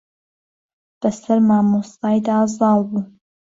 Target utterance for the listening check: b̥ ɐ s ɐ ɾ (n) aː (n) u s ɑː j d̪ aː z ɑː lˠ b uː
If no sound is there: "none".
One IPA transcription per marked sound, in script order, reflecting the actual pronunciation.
m, m

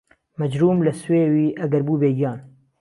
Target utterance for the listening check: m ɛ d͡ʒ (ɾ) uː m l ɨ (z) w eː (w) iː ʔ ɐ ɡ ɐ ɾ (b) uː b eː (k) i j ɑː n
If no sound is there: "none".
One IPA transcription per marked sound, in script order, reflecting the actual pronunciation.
ɾ, s, w, b, ɡ

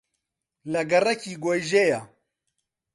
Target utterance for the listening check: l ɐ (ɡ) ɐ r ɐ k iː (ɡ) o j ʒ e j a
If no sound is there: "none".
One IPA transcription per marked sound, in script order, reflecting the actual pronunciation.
ɡ, ɡ

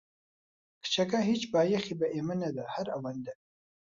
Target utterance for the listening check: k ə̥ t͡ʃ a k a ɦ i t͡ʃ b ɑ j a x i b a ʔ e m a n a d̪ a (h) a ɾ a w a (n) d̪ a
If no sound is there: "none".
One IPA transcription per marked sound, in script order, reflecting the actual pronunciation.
h, n

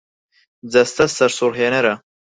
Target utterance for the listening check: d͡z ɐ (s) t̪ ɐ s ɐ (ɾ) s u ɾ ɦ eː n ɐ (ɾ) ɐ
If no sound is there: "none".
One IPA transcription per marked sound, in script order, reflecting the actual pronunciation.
s, ɾ, ɾ

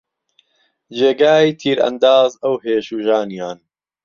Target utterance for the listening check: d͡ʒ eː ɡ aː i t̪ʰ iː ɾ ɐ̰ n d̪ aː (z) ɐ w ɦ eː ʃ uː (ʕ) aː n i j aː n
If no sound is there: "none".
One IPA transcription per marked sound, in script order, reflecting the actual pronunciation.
z, ʒ

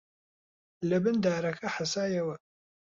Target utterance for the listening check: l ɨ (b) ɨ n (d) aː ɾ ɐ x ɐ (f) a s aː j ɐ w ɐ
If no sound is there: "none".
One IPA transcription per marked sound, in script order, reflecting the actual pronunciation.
b, d, ħ

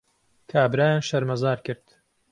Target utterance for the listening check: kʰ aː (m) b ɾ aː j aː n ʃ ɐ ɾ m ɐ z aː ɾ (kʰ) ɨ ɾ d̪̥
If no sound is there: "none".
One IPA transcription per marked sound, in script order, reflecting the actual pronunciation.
none, k

